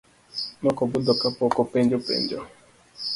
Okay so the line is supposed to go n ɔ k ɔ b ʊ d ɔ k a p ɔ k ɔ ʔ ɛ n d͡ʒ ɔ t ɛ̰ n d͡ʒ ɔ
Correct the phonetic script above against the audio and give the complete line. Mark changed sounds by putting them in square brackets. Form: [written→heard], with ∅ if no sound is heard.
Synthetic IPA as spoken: n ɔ k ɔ b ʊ d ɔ k a p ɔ k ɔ [ʔ→p] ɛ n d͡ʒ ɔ [t→p] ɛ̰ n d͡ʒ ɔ